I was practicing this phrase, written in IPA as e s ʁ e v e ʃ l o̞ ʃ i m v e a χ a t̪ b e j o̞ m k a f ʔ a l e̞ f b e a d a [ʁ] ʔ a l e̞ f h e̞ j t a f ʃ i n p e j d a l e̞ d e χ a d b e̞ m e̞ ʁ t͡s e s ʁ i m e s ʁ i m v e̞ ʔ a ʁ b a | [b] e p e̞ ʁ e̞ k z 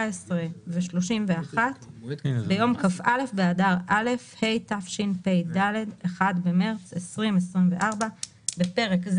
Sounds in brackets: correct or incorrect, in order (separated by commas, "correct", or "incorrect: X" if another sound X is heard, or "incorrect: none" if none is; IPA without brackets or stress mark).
correct, correct